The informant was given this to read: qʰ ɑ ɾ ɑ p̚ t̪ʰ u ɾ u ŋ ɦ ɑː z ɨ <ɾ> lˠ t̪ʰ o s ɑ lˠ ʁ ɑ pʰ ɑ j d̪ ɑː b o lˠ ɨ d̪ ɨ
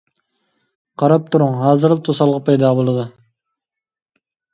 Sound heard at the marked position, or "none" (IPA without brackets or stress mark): ɾ